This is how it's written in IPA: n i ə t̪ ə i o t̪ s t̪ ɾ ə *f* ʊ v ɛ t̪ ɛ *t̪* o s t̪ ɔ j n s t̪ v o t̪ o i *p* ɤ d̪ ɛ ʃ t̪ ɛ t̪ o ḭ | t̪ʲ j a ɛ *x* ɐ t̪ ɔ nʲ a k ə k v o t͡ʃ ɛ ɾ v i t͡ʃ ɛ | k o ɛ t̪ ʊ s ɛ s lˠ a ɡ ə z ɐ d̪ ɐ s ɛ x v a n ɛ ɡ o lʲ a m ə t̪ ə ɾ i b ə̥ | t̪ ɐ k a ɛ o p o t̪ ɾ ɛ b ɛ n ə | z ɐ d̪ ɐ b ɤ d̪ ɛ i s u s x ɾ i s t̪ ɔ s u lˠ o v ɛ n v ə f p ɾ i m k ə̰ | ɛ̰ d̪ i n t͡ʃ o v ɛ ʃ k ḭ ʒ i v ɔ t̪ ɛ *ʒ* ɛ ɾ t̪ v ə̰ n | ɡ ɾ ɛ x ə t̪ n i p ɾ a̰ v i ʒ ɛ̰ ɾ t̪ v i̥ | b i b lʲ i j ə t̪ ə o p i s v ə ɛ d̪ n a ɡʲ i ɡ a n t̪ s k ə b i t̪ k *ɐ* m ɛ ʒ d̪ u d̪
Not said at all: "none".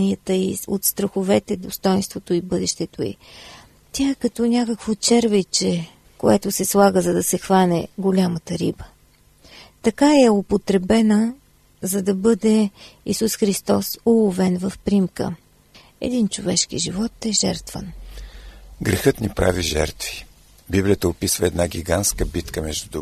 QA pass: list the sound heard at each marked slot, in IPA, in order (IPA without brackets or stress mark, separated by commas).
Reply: x, d̪, b, k, ʒ, ə